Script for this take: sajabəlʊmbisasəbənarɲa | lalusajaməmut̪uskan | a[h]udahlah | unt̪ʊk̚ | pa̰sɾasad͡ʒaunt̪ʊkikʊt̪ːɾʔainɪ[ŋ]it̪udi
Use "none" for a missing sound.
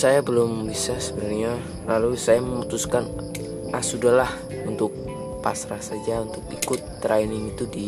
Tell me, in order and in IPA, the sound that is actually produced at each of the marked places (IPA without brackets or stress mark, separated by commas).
s, ŋ